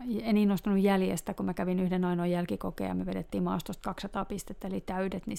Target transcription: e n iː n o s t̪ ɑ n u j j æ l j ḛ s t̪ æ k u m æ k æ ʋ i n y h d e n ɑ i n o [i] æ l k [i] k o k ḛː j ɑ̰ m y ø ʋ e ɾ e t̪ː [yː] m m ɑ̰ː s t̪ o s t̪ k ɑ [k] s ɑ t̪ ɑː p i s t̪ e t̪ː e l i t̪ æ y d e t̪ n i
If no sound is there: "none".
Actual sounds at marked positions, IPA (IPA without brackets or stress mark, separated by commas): j, i, iː, k